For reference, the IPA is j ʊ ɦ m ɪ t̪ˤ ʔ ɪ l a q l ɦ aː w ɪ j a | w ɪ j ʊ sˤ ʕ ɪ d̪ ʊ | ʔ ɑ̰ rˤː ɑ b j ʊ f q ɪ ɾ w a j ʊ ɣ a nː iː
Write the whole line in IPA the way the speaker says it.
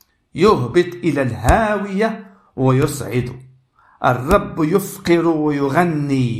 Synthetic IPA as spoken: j ʊ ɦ b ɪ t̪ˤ ʔ ɪ l a l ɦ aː w ɪ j a | w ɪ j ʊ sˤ ʕ ɪ d̪ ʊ | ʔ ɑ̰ rˤː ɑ bː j ʊ f q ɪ ɾ w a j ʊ ɣ a nː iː